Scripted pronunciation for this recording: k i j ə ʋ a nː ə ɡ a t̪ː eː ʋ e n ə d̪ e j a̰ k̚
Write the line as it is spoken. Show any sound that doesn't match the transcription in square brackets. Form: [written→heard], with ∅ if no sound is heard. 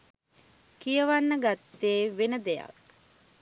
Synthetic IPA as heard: k i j ə ʋ a nː ə ɡ a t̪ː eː ʋ e n ə d̪ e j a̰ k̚